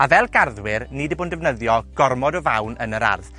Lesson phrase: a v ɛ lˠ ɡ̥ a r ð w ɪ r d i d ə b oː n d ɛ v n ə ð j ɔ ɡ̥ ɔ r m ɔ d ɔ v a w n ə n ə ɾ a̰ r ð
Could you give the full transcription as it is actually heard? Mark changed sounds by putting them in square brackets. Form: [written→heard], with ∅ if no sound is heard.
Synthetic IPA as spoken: a v ɛ lˠ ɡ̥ a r ð w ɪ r [d→n] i d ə b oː n d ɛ v n ə ð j ɔ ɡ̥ ɔ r m ɔ d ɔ v a w n ə n ə ɾ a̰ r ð